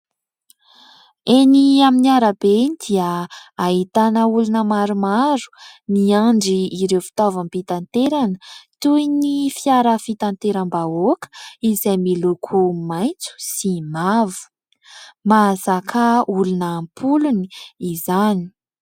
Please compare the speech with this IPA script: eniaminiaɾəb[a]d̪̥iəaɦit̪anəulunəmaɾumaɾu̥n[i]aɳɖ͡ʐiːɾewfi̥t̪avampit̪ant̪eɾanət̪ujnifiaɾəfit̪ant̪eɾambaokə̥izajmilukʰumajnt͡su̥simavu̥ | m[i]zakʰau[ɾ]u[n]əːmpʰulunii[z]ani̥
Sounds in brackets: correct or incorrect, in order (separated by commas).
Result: incorrect, correct, incorrect, incorrect, correct, correct